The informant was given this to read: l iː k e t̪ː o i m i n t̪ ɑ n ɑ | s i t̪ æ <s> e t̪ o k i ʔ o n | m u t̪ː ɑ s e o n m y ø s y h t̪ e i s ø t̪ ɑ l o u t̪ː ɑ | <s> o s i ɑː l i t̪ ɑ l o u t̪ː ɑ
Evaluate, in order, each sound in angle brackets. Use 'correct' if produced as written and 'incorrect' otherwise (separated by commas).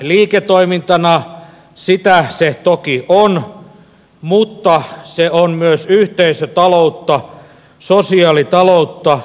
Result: correct, correct